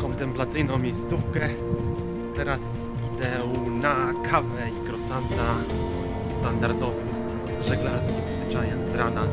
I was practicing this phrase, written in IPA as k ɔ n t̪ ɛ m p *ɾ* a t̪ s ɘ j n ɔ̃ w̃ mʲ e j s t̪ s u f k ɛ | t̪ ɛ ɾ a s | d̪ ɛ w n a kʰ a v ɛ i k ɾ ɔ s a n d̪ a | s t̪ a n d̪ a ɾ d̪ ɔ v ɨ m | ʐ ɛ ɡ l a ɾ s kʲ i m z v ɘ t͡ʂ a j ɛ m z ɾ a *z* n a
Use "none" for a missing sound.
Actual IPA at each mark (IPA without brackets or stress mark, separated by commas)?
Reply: l, none